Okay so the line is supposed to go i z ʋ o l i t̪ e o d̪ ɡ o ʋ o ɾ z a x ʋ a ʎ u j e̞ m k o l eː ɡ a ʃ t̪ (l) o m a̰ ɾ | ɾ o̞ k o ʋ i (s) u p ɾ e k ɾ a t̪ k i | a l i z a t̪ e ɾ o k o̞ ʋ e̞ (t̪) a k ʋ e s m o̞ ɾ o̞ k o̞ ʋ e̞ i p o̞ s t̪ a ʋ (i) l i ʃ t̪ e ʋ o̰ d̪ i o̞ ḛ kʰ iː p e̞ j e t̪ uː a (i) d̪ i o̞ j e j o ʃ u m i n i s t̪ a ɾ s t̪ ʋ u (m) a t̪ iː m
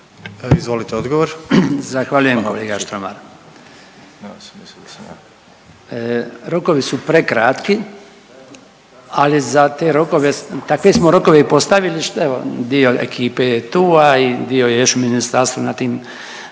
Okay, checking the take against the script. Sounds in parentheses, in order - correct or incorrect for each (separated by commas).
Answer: incorrect, correct, correct, correct, correct, incorrect